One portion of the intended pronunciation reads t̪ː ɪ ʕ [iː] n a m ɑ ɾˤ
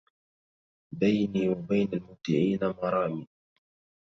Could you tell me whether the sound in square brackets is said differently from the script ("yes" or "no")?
no